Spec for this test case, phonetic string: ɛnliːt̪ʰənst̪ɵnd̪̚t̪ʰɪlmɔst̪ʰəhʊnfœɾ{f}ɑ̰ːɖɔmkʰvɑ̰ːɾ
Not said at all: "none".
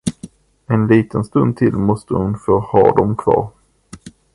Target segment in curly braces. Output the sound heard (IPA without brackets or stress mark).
h